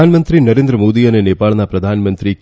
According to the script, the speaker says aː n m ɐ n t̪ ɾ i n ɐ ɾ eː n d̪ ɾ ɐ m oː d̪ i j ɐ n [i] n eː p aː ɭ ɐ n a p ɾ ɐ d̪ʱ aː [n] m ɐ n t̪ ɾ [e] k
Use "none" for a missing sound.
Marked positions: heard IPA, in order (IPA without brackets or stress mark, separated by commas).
e, n, i